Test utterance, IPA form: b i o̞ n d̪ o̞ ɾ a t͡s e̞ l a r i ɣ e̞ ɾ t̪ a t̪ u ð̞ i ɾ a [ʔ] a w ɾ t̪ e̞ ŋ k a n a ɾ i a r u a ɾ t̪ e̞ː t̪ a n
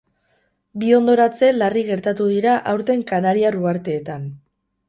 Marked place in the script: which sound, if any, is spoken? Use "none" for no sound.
ʔ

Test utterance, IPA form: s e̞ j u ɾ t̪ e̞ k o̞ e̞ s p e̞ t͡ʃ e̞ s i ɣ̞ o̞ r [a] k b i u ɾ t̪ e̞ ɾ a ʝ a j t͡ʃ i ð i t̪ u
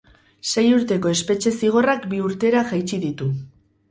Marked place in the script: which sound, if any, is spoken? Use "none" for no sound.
a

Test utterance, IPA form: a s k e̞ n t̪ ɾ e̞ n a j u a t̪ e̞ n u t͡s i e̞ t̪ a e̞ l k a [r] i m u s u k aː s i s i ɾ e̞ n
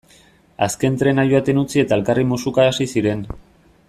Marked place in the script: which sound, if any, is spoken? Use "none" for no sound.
r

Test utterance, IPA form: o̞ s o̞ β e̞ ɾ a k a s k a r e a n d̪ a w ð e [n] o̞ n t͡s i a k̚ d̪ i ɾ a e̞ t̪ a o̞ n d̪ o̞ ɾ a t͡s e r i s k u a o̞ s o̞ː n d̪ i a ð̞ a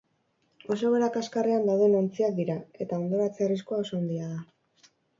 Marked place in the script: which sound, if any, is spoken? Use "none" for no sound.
n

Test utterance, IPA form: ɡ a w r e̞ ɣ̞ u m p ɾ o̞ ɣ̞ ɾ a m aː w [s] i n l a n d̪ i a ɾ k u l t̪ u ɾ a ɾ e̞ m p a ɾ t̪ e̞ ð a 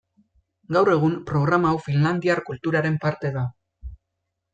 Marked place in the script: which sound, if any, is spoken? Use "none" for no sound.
f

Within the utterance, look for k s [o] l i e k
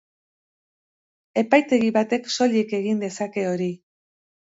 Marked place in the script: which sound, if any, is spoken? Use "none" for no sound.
o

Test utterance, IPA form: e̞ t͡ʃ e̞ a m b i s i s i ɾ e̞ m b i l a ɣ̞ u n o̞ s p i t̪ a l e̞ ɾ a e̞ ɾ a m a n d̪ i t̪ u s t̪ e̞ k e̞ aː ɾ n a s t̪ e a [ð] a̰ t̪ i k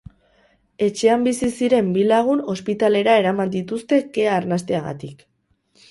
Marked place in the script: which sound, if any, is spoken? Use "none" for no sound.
ɣ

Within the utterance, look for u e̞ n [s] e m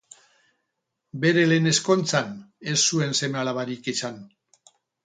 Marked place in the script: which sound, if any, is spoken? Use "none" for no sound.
s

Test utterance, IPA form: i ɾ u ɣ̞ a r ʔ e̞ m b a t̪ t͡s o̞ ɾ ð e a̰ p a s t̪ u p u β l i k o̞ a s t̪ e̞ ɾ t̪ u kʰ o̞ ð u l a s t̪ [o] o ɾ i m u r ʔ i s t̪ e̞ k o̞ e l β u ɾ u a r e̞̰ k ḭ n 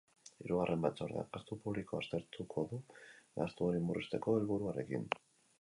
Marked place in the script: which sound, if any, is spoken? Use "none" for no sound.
u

